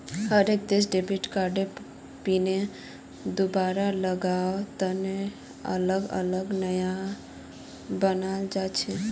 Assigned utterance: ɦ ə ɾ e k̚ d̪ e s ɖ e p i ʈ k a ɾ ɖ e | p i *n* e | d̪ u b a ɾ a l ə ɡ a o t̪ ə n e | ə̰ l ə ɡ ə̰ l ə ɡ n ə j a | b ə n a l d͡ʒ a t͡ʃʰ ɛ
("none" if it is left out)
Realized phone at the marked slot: n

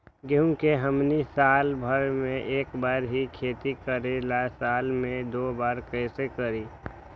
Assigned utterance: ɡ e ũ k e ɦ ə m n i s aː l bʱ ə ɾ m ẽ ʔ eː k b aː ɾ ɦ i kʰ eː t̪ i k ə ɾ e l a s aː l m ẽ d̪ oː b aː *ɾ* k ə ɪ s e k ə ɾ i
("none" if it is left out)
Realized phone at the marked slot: ɾ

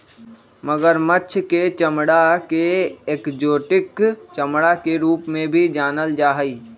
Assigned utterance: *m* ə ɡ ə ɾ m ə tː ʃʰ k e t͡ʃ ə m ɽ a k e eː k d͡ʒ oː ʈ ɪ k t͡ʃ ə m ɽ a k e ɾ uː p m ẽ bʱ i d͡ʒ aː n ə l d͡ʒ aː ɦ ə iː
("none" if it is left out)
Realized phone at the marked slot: m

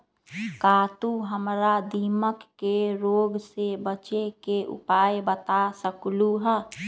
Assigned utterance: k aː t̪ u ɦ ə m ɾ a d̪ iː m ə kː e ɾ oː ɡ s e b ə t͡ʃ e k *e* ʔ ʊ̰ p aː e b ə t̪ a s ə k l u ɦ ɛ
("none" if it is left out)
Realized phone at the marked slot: e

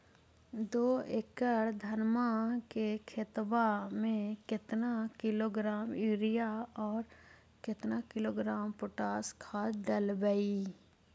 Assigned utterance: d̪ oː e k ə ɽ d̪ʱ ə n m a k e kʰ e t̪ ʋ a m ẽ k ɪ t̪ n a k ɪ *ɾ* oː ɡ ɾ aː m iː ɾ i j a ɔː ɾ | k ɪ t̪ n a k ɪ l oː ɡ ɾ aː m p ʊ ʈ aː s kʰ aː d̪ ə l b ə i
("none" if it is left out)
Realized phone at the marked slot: l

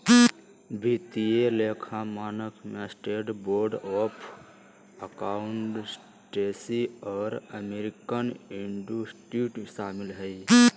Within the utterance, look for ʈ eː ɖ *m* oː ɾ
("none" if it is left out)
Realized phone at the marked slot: b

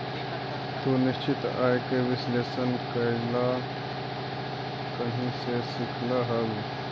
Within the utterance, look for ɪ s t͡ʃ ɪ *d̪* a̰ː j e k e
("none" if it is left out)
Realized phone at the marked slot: t̪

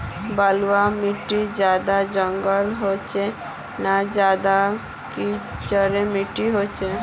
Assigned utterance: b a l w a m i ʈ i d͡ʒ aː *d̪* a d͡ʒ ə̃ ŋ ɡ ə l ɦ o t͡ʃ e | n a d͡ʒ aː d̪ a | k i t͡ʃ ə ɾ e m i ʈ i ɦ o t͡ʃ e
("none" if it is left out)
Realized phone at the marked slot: d̪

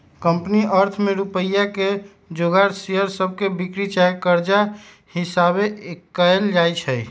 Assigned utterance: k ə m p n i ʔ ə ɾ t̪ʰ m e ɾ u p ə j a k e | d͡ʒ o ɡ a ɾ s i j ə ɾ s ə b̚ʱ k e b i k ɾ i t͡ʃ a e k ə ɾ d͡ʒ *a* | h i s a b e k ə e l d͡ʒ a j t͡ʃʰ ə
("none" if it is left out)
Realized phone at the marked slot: a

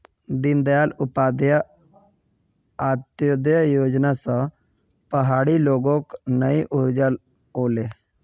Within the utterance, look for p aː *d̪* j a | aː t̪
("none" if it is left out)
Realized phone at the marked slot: d̪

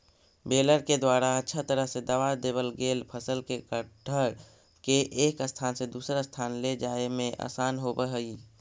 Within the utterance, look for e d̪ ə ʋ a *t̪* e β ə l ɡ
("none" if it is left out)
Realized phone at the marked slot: d̪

